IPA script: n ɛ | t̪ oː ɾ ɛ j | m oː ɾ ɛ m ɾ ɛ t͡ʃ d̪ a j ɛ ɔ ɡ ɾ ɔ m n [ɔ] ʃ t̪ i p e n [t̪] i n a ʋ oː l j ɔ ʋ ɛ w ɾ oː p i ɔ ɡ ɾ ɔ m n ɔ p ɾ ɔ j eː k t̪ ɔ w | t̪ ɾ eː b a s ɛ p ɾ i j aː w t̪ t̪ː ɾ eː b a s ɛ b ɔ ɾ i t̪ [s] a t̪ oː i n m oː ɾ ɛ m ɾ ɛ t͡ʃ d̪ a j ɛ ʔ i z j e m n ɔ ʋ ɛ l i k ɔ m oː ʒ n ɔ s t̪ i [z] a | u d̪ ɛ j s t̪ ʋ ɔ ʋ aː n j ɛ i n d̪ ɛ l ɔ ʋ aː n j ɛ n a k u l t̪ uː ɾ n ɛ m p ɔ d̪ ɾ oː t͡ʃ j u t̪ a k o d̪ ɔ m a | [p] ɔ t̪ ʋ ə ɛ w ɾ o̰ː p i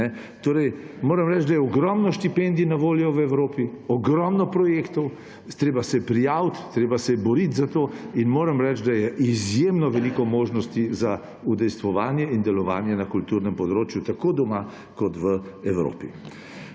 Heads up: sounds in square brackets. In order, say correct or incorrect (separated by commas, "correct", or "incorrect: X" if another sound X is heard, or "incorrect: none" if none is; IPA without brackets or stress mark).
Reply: correct, incorrect: d̪, incorrect: z, correct, incorrect: k